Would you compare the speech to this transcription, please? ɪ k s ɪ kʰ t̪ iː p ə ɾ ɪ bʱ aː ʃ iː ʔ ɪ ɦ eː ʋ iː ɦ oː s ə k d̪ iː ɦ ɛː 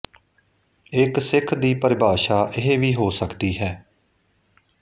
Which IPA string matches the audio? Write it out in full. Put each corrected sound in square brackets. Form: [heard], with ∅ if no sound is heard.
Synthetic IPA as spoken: ɪ k s ɪ kʰ [d̪] iː p ə ɾ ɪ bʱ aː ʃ [aː] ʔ ɪ ɦ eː ʋ iː ɦ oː s ə k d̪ iː ɦ ɛː